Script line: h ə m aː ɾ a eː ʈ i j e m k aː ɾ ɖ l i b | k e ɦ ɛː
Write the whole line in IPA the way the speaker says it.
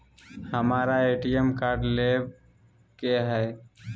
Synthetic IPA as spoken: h ə m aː ɾ a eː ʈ i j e m k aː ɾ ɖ l e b | k e ɦ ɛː